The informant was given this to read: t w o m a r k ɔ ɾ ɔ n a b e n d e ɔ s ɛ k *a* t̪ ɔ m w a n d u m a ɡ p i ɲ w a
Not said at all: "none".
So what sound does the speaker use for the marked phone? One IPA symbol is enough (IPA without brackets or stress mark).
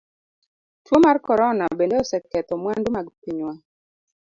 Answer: ɛ